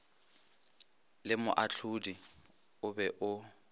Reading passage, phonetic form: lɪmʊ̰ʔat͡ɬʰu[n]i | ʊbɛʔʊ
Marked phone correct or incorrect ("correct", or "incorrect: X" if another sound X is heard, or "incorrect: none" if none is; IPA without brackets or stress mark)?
incorrect: d